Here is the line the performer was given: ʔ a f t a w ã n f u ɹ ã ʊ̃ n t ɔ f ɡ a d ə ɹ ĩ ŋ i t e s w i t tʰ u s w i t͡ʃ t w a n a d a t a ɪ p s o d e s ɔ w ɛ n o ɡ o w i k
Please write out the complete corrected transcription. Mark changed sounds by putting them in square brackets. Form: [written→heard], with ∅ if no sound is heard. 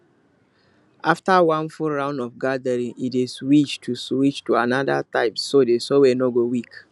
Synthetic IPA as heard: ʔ a f t a w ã n f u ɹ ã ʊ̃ n [t→d] ɔ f ɡ a d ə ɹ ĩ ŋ i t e s w i [t→t͡ʃ] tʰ u s w i t͡ʃ t [w→u] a n a d a t a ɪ p s o d e s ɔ w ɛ n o ɡ o w i k

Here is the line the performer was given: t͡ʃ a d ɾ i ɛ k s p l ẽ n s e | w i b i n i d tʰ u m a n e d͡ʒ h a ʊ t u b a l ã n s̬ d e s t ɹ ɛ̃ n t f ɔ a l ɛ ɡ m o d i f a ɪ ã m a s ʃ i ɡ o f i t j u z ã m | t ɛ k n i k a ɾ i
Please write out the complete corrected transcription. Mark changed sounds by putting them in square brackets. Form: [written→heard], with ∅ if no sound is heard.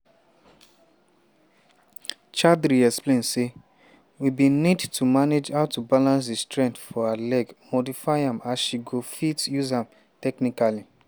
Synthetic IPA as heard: t͡ʃ a d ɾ i ɛ k s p l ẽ n s e | w i b i n i d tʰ u m a n e d͡ʒ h a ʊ t u b a l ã n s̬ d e s t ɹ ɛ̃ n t f ɔ a l ɛ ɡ m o d i f a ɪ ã m a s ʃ i ɡ o f i t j u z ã m | t ɛ k n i k a [ɾ→l] i

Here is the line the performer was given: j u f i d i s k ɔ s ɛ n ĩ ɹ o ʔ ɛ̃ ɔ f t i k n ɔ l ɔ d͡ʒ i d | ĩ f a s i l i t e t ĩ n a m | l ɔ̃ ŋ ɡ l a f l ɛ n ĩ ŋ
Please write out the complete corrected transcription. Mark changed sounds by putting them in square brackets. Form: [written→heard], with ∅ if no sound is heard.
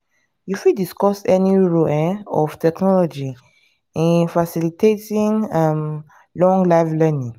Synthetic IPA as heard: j u f i d i s k ɔ s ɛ n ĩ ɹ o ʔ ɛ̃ ɔ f t [i→ɛ] k n ɔ l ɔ d͡ʒ i [d→∅] | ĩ f a s i l i t e t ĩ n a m | l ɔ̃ ŋ ɡ l a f l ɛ n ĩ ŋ

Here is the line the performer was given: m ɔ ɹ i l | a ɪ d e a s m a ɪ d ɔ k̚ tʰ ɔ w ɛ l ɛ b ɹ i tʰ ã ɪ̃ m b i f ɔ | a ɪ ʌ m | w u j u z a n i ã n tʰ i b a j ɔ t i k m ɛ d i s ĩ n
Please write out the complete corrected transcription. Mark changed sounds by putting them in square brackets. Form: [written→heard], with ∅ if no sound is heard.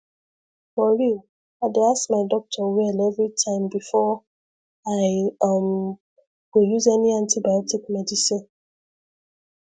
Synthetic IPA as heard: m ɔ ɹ i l | a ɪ d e a s m a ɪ d ɔ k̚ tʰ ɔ w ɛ l ɛ [b→v] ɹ i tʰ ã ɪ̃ m b i f ɔ | a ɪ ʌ m | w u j u z [a→ɛ] n i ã n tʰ i b a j ɔ t i k m ɛ d i s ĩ n

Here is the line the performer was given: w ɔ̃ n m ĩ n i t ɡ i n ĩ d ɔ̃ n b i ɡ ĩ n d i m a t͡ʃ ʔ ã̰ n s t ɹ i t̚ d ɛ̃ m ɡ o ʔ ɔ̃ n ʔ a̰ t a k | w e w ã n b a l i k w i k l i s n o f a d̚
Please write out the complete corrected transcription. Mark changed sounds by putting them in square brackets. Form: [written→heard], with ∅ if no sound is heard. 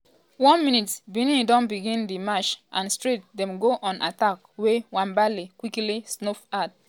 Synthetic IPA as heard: w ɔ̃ n m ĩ n i t [ɡ→b] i n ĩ d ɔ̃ n b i ɡ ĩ n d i m a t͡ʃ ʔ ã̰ n s t ɹ i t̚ d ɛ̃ m ɡ o ʔ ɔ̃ n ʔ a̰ t a k | w e w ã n b a l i k w i k l i s n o f a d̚

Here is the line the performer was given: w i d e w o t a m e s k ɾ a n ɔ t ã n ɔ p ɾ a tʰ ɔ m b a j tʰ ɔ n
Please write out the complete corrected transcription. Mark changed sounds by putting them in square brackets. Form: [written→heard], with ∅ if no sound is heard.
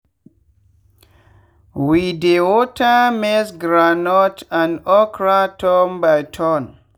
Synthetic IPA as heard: w i d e w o t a m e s [k→ɡ] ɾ a n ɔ t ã n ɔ [p→k] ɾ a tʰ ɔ m b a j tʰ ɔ n

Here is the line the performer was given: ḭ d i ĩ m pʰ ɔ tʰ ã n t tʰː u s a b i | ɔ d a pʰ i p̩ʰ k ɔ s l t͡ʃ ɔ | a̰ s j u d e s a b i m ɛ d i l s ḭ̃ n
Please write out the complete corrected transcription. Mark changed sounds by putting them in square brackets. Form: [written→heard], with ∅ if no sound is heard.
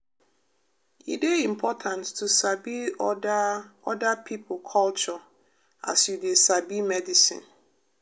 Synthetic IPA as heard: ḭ d [i→e] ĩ m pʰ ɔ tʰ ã n t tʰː u s a b i | ɔ d a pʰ i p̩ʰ [k→kʰ] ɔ [s→∅] l t͡ʃ ɔ | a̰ s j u d e s a b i m ɛ d i [l→∅] s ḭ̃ n

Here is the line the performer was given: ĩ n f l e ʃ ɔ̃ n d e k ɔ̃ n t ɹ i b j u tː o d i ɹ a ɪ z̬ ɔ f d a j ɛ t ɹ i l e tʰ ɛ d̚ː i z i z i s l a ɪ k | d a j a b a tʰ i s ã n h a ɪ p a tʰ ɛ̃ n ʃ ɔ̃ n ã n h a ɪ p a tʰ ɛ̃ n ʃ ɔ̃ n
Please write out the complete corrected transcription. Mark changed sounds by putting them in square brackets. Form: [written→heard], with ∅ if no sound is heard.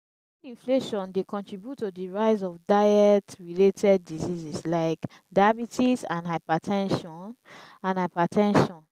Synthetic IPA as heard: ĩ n f l e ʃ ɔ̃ n d e k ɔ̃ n t ɹ i b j u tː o d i ɹ a ɪ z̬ ɔ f d a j ɛ t ɹ i l e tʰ ɛ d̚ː i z i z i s l a ɪ k | d a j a b [a→i] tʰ i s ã n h a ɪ p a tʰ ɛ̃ n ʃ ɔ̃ n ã n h a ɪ p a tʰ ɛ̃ n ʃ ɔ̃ n

